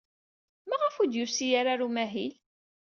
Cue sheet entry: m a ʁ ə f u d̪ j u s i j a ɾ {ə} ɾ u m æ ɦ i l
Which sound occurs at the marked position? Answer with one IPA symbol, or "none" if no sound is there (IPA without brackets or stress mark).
a